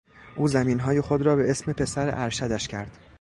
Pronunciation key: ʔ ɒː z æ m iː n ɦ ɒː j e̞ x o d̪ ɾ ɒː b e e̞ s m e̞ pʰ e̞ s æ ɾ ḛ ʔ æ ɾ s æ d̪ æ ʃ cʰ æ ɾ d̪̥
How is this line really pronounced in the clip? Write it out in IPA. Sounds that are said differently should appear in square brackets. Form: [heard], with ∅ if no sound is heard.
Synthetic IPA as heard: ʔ [uː] z æ m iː n ɦ ɒː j e̞ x o d̪ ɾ ɒː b e e̞ s m e̞ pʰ e̞ s æ ɾ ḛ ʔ æ ɾ [ʃ] æ d̪ æ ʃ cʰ æ ɾ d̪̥